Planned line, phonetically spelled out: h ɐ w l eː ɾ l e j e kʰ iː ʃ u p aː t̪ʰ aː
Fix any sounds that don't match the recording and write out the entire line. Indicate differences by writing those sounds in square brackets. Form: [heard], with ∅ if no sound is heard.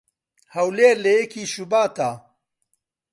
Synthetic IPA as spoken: h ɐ w l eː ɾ l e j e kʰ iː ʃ u [b] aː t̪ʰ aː